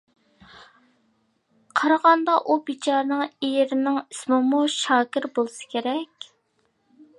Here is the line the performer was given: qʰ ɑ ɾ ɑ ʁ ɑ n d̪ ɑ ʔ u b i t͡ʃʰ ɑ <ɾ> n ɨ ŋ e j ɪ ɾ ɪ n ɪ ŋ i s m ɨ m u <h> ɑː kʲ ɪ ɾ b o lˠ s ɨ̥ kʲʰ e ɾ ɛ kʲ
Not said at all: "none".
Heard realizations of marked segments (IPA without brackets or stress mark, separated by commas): ɾ, ʃ